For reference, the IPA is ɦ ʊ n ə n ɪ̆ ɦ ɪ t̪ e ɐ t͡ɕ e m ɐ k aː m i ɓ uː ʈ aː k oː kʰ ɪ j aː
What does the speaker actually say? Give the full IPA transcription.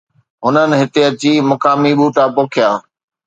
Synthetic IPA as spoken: ɦ ʊ n ə n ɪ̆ ɦ ɪ t̪ e ɐ t͡ɕ i m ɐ k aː m i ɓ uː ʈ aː p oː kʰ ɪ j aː